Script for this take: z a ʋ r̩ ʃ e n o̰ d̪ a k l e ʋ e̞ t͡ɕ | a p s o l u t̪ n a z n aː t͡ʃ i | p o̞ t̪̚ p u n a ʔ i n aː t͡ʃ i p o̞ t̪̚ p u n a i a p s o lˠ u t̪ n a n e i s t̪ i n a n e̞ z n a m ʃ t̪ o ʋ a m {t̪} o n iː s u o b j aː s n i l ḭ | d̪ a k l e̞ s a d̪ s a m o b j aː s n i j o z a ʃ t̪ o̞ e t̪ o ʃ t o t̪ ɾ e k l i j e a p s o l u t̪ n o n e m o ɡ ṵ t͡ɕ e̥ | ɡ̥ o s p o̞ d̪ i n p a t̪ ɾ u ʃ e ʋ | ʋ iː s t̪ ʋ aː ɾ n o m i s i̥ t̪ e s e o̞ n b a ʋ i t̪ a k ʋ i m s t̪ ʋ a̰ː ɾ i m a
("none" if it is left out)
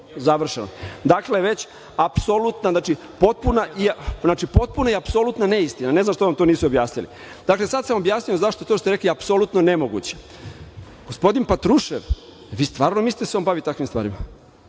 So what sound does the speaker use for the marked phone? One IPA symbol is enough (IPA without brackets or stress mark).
t̪